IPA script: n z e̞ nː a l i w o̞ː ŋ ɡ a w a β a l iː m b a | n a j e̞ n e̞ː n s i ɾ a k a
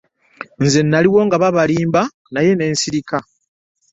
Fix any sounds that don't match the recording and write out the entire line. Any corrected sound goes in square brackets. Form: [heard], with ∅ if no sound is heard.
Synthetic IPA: n z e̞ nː a l i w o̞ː ŋ ɡ a [β] a β a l iː m b a | n a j e̞ n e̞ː n s i ɾ [i] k a